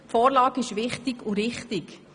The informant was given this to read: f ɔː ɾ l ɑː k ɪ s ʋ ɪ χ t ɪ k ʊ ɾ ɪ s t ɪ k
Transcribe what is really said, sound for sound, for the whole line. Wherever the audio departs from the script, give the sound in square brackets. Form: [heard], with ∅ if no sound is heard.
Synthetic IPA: f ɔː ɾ l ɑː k ɪ [ʃ] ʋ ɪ χ t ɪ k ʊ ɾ ɪ [χ] t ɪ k